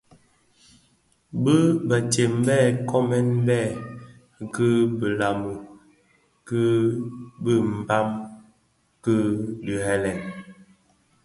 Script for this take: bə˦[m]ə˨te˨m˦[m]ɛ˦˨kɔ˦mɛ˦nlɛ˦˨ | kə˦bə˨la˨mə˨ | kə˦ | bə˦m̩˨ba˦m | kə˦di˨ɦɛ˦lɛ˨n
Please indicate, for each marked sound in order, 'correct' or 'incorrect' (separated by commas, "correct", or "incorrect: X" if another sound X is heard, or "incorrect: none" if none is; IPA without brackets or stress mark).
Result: incorrect: b, incorrect: b